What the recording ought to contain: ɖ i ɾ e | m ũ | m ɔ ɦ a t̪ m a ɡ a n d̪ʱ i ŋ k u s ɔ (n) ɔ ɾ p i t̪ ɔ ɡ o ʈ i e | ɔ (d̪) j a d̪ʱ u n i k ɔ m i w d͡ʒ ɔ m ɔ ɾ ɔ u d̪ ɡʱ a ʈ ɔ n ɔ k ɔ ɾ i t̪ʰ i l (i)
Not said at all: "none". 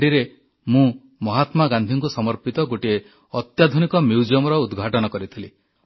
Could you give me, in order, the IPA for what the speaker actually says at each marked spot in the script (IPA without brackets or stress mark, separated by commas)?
m, t̪, i